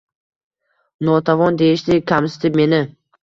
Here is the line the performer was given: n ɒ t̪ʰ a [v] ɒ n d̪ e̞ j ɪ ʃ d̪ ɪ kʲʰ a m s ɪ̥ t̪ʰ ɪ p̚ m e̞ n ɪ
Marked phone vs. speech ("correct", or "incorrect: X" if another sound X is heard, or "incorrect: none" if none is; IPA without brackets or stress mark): correct